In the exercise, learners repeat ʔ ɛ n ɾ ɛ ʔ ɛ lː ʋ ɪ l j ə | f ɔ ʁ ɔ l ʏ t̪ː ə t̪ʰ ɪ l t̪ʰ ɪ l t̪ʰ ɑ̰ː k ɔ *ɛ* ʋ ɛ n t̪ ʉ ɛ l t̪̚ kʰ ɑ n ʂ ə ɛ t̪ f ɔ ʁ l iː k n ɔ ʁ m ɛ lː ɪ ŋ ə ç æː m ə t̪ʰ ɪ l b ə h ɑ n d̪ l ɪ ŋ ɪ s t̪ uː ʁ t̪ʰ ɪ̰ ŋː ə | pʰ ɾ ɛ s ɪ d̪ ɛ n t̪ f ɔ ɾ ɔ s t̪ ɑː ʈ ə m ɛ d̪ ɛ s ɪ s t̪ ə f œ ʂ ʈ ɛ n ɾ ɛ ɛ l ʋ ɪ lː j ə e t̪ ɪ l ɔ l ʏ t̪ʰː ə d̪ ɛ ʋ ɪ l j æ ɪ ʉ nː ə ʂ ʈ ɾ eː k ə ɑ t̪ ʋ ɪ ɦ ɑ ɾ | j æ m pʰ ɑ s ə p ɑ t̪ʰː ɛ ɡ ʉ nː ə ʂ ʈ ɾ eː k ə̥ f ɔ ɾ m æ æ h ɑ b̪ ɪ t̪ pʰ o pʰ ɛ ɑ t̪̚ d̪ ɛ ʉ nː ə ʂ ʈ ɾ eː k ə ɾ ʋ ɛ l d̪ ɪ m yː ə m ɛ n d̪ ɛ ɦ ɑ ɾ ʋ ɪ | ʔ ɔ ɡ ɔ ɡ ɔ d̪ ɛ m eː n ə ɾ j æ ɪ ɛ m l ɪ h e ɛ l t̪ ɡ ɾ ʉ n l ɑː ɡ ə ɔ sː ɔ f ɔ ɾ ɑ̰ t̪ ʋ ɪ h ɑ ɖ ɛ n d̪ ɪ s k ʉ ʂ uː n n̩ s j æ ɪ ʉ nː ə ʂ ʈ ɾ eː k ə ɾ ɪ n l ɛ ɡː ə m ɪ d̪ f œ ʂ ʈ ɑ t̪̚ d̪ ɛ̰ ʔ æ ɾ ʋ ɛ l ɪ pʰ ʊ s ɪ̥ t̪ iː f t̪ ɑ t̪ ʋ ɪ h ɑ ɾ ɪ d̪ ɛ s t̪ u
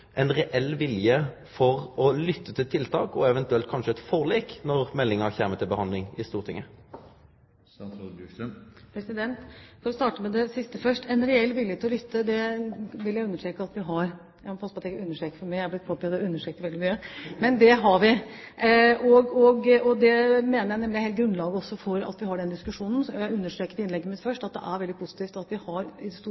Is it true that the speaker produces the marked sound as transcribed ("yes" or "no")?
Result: yes